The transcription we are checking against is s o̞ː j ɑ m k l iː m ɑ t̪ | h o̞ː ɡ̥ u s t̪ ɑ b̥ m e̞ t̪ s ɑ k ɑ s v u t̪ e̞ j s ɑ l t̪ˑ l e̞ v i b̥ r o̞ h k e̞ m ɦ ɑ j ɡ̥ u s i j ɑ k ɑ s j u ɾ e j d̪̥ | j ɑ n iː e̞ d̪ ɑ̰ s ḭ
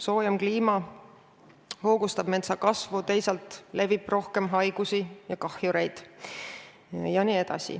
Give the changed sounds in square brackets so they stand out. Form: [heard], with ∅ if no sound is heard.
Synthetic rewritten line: s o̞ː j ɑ m k l iː m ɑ [∅] | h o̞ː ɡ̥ u s t̪ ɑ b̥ m e̞ t̪ s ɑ k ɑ s v u t̪ e̞ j s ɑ l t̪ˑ l e̞ v i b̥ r o̞ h k e̞ m ɦ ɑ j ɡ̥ u s i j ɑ k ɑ [h] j u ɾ e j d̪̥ | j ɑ n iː e̞ d̪ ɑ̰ s ḭ